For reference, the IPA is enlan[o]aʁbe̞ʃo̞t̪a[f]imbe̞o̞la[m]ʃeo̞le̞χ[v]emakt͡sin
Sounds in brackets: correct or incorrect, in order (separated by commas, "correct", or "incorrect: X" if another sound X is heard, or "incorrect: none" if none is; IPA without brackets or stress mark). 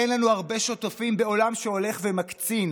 incorrect: u, correct, correct, correct